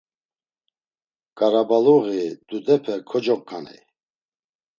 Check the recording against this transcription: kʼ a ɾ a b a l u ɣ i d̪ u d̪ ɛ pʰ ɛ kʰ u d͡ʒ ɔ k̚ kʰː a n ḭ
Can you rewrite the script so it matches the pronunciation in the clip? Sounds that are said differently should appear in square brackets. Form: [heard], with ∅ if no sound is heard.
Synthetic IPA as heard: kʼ a ɾ a b a l u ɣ i d̪ u d̪ ɛ pʰ ɛ kʰ [ɔ] d͡ʒ ɔ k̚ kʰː a n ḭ